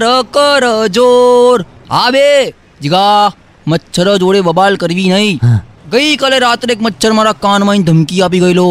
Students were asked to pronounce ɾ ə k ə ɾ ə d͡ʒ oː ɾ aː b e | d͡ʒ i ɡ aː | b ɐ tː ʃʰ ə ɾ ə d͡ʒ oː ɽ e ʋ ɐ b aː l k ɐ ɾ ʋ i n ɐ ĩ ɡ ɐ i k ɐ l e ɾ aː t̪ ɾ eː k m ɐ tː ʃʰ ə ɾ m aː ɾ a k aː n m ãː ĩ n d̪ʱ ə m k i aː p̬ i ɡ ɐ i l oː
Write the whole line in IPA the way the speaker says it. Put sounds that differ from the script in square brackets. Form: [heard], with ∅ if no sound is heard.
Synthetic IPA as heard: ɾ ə k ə ɾ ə d͡ʒ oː ɾ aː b e | d͡ʒ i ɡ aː | [m] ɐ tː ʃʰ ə ɾ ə d͡ʒ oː ɽ e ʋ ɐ b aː l k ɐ ɾ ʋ i n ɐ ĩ ɡ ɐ i k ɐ l e ɾ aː t̪ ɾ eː k m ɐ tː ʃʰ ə ɾ m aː ɾ a k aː n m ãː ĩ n d̪ʱ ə m k i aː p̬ i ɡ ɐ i l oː